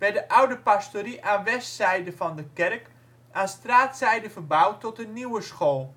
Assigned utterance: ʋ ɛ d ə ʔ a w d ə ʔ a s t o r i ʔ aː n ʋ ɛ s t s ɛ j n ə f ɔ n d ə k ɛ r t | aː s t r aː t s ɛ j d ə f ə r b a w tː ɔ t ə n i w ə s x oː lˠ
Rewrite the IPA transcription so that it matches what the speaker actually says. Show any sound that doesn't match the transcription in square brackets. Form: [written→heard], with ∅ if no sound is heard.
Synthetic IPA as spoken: ʋ ɛ d ə ʔ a w d ə [ʔ→p] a s t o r i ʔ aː n ʋ ɛ s t s ɛ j [n→d] ə f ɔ n d ə k ɛ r [t→k] | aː s t r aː t s ɛ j d ə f ə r b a w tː ɔ t ə n i w ə s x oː lˠ